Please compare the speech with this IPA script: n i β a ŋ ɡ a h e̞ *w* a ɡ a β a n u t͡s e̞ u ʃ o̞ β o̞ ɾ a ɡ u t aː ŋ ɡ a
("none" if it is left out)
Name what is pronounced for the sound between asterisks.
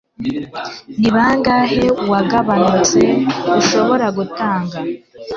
w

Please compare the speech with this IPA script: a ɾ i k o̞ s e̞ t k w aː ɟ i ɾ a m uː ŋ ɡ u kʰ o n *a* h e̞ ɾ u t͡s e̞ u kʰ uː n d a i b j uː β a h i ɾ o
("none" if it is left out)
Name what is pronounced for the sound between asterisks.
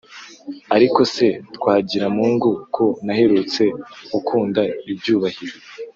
a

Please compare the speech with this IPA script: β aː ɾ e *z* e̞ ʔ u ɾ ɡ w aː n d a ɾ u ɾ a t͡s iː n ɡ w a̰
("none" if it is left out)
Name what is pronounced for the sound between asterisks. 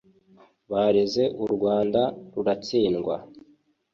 z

